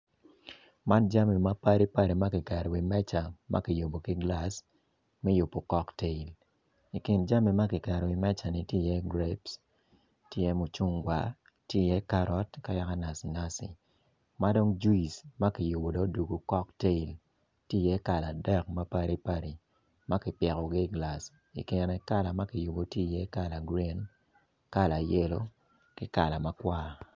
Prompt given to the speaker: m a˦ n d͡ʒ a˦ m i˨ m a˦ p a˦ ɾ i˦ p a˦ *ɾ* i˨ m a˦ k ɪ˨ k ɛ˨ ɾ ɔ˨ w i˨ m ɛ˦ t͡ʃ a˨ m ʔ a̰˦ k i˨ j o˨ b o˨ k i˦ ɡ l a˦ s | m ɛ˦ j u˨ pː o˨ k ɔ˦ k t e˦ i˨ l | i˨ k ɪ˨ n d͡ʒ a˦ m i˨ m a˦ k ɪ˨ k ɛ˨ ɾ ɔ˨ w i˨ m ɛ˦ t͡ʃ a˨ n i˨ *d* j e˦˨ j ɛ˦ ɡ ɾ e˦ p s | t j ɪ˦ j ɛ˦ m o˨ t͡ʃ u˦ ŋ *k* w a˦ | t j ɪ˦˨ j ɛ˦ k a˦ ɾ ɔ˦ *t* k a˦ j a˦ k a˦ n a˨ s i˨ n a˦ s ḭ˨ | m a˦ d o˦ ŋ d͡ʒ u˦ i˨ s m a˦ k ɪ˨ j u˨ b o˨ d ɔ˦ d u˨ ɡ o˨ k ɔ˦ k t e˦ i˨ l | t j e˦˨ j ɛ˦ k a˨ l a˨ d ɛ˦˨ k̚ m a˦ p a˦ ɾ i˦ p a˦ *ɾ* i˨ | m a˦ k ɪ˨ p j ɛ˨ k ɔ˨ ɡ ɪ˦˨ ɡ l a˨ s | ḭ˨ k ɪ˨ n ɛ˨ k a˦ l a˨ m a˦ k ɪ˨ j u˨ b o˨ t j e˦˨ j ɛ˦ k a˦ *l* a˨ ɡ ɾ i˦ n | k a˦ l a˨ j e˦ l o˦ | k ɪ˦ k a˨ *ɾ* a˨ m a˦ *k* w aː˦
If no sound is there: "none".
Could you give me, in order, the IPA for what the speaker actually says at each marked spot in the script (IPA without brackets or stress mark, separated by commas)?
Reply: ɾ, t, ɡ, t, ɾ, l, l, k